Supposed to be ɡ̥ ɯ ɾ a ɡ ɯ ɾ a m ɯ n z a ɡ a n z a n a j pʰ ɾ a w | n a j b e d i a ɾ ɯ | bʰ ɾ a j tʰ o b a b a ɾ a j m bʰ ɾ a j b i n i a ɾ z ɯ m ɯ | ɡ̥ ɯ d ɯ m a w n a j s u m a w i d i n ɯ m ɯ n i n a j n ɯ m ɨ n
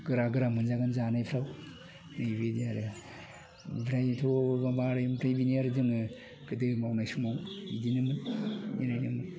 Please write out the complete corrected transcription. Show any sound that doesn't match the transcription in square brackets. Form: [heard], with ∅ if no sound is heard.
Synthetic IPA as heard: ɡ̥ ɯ ɾ a ɡ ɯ ɾ a m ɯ n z a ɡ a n z a n a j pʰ ɾ a w | n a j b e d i a ɾ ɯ | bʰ ɾ a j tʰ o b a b a ɾ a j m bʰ ɾ a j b i n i a ɾ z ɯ [ŋ] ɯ | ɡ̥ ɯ d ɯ m a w n a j s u m a w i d i n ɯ m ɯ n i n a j n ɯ m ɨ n